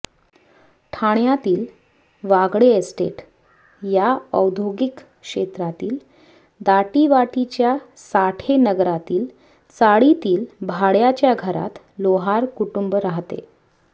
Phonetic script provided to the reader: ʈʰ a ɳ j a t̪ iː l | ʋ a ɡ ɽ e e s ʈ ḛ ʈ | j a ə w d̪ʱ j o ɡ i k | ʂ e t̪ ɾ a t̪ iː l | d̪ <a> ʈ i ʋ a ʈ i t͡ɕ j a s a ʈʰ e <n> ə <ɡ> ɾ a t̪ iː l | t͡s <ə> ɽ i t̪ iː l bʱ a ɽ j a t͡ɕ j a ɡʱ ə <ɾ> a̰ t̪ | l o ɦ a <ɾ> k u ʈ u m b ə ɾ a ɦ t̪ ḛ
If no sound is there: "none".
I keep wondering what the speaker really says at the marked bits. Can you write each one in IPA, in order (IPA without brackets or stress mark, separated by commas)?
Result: a, n, ɡ, a, ɾ, ɾ